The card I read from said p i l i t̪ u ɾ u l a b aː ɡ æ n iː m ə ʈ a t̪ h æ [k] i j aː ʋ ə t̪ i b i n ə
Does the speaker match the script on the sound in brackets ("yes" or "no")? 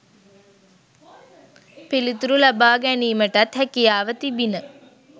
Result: yes